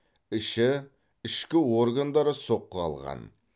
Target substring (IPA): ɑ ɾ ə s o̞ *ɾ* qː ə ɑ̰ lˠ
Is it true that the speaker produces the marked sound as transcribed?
no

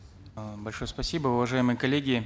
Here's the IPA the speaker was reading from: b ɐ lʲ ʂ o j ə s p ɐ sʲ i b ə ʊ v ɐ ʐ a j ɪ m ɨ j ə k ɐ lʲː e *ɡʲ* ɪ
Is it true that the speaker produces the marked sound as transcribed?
yes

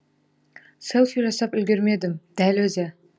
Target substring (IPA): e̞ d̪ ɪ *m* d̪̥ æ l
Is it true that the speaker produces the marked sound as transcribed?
yes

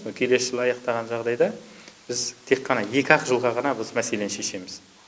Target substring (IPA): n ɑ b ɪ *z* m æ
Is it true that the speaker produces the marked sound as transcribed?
yes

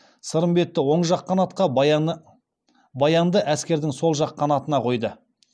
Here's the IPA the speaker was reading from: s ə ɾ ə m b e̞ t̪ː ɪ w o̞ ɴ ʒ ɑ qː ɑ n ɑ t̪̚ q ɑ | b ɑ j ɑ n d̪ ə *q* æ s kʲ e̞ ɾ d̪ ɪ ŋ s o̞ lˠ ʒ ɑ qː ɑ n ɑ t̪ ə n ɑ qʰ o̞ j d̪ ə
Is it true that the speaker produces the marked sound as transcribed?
no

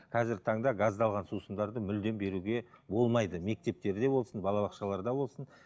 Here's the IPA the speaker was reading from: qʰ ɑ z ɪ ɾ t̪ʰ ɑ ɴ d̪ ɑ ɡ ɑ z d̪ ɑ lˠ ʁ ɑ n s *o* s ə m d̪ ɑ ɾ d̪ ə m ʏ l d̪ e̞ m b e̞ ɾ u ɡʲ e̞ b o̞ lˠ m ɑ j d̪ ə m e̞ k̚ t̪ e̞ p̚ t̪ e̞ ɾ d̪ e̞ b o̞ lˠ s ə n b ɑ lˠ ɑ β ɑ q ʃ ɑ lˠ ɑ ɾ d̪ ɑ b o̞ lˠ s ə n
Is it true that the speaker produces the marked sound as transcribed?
no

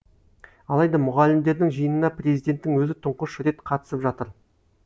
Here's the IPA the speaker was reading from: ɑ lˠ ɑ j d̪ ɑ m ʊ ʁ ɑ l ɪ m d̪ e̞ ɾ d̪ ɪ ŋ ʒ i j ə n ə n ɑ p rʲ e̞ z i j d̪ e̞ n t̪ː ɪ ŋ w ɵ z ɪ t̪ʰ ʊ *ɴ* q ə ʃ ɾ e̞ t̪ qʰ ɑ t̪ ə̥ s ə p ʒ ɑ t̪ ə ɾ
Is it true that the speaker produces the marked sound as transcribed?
yes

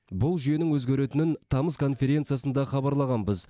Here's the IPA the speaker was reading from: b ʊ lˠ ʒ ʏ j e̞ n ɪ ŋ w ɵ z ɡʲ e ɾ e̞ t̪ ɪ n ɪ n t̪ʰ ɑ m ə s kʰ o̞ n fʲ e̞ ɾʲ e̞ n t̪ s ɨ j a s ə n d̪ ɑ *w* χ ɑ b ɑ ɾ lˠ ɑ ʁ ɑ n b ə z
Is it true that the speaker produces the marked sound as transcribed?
no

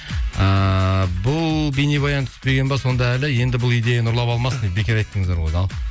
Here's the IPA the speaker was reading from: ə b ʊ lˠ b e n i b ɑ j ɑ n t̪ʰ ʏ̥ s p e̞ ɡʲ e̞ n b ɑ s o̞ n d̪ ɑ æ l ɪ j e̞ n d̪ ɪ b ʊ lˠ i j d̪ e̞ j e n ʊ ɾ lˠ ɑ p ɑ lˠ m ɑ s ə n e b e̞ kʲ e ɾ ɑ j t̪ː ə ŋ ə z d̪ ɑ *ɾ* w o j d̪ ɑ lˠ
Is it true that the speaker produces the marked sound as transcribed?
yes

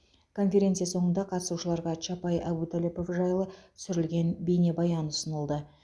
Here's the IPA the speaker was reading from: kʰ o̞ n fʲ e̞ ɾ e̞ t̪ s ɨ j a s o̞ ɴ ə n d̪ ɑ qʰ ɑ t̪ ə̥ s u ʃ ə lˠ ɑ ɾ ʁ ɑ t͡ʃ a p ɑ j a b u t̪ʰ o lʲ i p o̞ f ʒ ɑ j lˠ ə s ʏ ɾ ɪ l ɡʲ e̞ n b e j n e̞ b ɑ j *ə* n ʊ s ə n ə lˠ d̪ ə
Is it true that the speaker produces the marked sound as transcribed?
no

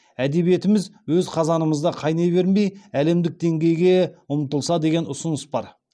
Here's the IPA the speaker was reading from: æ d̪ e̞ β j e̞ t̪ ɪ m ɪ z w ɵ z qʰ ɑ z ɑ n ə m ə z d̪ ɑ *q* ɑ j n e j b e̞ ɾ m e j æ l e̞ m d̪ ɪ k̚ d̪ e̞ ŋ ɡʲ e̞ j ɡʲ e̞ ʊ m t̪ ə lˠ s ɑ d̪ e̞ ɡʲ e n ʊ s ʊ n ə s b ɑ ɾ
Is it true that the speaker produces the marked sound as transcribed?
no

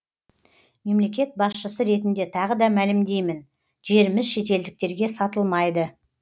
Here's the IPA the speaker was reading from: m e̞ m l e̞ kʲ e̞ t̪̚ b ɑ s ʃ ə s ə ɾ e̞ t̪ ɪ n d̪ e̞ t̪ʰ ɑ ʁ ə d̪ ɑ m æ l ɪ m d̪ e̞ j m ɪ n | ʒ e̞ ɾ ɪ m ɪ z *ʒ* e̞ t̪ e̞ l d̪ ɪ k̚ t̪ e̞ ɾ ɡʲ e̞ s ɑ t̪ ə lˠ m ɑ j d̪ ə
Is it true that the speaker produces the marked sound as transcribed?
no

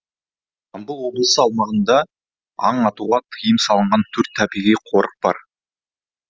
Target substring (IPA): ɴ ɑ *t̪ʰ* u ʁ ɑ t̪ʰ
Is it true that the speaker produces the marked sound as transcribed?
no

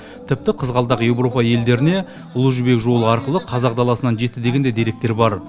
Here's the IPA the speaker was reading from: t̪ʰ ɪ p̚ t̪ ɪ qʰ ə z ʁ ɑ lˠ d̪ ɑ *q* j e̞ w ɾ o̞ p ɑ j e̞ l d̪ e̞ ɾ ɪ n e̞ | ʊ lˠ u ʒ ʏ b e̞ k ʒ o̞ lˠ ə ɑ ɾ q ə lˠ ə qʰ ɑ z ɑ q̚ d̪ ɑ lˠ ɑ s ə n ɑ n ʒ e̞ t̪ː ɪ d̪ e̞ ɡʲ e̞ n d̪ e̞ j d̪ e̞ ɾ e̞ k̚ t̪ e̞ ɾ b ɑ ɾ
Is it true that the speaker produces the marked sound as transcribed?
yes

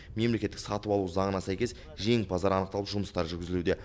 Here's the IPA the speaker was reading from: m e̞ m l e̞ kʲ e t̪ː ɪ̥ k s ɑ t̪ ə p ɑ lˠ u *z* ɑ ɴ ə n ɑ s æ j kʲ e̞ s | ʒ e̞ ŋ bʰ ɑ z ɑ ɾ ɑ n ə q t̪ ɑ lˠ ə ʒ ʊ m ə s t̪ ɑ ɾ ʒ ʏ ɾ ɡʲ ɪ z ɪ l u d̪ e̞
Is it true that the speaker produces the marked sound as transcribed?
yes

